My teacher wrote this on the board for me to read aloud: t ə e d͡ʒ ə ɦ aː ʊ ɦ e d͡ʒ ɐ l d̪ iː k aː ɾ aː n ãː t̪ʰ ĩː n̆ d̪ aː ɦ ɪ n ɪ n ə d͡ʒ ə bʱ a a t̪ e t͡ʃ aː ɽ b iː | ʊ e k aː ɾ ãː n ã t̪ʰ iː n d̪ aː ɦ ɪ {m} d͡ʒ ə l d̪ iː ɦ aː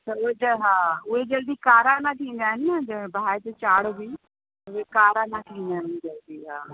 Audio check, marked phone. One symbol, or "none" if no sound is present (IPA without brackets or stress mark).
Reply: n